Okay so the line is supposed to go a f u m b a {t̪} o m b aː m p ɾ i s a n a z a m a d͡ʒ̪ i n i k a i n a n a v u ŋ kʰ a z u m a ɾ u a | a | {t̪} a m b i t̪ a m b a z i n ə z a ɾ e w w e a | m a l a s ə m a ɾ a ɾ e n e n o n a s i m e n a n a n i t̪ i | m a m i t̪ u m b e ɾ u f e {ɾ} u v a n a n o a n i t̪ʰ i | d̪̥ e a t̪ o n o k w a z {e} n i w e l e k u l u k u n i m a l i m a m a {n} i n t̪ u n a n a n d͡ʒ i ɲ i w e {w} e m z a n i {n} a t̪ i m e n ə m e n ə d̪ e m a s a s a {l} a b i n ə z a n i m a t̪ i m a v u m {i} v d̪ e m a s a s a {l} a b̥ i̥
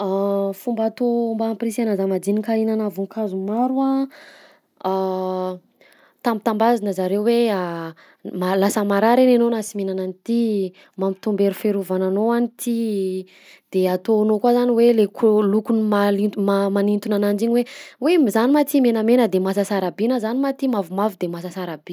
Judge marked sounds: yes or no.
yes, yes, yes, no, yes, yes, no, no, no, no

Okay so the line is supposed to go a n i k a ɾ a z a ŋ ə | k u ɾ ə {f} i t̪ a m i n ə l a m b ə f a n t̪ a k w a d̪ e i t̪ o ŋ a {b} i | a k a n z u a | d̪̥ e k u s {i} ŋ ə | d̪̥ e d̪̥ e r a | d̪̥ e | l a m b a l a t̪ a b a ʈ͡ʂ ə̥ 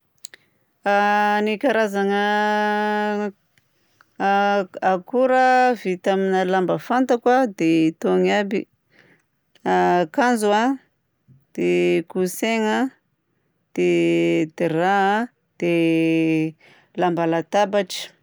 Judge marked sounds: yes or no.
no, yes, no

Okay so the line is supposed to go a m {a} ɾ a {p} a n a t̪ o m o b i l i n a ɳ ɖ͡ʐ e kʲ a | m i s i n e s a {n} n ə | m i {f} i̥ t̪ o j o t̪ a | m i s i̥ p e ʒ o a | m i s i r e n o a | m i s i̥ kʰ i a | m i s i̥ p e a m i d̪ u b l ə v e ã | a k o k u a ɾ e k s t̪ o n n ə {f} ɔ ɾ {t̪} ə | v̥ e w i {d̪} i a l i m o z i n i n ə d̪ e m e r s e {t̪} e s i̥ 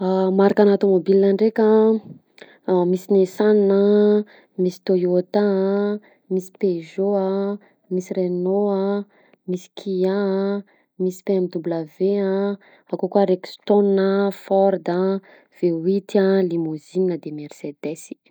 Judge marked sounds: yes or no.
yes, no, yes, no, yes, no, no, no

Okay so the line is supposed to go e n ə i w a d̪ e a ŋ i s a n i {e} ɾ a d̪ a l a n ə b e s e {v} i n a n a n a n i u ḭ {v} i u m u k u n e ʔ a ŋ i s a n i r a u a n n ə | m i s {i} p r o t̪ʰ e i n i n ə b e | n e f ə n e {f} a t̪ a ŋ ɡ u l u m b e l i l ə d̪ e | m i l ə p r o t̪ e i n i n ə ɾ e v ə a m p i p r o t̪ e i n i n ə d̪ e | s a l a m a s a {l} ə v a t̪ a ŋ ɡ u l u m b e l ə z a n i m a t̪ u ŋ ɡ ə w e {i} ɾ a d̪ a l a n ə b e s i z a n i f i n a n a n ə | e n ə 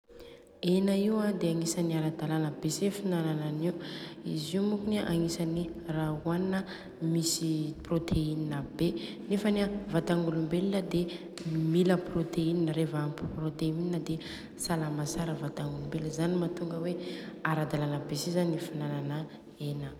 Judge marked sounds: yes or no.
no, no, no, yes, no, no, no

